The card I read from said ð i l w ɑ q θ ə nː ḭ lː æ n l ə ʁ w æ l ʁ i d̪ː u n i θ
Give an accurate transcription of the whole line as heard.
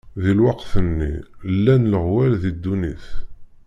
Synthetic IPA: ð i l w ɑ q θ ə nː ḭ lː æ n l ə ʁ w æ l ð i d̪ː u n i θ